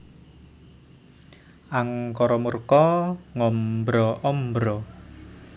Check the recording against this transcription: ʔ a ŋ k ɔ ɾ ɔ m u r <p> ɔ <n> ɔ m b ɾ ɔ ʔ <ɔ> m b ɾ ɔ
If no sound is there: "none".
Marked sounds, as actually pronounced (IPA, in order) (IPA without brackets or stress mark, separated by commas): k, ŋ, ɔ